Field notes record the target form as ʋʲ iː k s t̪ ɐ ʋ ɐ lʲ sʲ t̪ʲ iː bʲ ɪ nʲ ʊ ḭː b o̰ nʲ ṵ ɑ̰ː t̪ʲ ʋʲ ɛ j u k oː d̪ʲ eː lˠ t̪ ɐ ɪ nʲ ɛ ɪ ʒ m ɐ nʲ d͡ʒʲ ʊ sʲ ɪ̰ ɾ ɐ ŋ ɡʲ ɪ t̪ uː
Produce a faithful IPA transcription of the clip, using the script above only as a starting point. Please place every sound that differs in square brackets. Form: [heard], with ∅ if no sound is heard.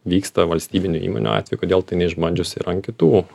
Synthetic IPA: ʋʲ iː k s t̪ ɐ ʋ ɐ lʲ sʲ t̪ʲ iː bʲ ɪ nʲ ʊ ḭː [m] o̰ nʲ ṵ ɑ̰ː t̪ʲ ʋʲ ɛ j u k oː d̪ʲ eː lˠ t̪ ɐ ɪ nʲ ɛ ɪ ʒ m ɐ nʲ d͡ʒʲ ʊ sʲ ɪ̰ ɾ ɐ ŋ [kʲ] ɪ t̪ uː